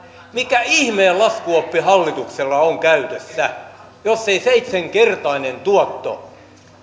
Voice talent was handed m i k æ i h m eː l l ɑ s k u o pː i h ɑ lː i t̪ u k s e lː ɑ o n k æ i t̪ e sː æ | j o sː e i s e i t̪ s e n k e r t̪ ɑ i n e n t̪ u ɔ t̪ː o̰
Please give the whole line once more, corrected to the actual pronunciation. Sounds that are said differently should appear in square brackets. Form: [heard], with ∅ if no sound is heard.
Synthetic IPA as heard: m i k æ i h m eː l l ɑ s k u o pː i h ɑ lː i t̪ u k s e lː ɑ o [ŋ] k æ [y] t̪ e sː æ | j o sː e i s e i t̪ s e [ŋ] k e r t̪ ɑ i n e n t̪ u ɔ t̪ː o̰